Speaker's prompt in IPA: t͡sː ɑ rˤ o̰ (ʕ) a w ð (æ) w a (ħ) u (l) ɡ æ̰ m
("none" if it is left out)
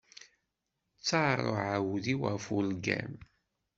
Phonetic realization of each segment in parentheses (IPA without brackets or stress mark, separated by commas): ʕ, i, f, l